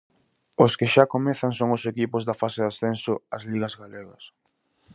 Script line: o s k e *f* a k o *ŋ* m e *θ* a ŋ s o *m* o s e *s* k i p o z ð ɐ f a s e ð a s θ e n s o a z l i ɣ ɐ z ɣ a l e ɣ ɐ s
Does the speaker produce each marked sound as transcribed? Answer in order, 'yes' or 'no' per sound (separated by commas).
no, no, yes, no, no